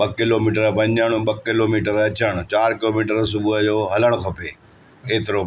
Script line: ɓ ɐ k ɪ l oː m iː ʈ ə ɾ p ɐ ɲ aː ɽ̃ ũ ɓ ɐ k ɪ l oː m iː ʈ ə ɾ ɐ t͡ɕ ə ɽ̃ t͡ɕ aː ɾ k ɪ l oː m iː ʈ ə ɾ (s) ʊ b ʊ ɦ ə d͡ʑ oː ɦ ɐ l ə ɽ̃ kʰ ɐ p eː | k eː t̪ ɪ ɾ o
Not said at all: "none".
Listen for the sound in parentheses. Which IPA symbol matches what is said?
s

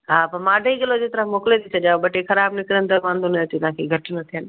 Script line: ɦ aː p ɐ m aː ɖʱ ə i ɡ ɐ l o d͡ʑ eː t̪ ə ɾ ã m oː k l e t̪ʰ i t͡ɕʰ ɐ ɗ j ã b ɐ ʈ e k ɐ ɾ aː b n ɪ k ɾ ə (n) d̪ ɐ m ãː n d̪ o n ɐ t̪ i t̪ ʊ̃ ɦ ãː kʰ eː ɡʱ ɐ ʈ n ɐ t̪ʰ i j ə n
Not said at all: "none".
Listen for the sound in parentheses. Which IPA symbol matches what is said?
n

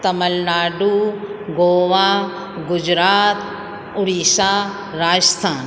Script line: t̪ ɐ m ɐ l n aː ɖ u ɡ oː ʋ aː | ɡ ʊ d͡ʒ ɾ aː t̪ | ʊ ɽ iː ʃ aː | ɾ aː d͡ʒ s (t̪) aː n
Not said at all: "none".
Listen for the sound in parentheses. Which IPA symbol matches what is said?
t̪ʰ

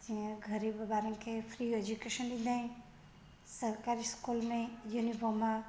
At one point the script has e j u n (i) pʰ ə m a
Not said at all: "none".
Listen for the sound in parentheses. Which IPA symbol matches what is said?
i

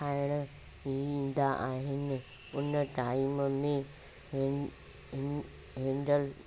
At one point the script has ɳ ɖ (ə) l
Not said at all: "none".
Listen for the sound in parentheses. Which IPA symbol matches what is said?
ə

